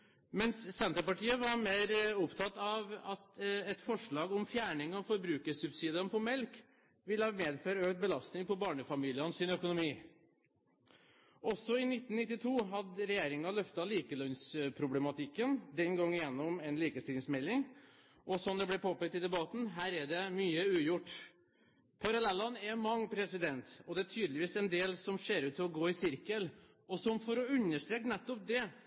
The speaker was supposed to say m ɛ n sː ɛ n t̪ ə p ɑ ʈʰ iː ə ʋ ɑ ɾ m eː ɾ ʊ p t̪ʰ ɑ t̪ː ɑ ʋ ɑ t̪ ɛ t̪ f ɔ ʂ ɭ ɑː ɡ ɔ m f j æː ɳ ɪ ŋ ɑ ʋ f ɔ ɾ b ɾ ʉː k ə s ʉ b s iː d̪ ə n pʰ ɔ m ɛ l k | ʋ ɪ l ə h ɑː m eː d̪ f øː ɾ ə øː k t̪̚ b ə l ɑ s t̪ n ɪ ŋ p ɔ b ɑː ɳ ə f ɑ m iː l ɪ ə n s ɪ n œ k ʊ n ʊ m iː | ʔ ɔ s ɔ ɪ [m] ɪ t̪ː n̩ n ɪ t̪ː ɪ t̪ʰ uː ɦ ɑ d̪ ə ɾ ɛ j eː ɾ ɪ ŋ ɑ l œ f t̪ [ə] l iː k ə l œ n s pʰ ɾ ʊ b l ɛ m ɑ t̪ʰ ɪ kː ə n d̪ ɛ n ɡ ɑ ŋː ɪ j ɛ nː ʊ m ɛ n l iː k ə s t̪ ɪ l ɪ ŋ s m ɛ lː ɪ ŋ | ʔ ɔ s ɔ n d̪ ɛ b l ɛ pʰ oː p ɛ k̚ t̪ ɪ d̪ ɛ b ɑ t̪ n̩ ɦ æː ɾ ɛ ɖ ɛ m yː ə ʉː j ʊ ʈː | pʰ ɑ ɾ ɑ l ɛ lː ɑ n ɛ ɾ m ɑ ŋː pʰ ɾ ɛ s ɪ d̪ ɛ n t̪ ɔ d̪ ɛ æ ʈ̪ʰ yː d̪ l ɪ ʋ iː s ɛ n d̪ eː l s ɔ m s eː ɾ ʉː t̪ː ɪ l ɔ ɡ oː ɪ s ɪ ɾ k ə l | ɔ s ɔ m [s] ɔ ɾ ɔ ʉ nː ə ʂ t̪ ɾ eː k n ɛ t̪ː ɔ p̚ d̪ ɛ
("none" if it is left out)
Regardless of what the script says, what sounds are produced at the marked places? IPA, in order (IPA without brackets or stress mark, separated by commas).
n, ɑ, f